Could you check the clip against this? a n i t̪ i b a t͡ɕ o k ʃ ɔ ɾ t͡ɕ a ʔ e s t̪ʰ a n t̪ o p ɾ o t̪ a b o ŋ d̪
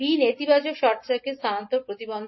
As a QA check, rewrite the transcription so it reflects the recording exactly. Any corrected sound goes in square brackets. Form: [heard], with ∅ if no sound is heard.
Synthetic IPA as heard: [i] n [e] t̪ i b a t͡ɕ o k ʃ ɔ ɾ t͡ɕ a [k] e s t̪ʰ a n t̪ o p ɾ o t̪ [i] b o [n] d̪